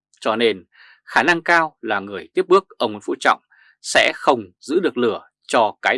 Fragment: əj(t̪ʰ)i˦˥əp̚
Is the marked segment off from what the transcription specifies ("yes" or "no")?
yes